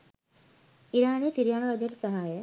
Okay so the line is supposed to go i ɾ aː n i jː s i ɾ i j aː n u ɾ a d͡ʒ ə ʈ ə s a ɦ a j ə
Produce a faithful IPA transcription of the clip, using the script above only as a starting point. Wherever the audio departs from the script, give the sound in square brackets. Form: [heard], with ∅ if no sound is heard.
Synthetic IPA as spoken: i ɾ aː n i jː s i ɾ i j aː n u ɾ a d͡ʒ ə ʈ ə s a ɦ a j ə

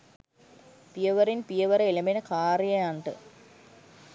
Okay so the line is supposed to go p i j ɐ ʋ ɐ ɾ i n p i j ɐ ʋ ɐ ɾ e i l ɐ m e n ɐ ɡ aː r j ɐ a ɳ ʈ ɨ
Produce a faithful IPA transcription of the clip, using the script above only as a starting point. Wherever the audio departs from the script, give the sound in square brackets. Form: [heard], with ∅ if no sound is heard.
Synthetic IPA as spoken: p i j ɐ ʋ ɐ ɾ i n p i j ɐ ʋ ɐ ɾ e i l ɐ m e n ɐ [k] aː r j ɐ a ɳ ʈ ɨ

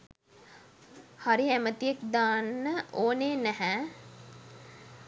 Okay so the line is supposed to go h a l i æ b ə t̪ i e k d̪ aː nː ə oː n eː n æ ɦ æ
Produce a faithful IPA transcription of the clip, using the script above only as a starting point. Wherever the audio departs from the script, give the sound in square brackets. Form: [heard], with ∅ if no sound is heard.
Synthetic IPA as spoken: h a [ɾ] i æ [m] ə t̪ i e k d̪ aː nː ə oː n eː n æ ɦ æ

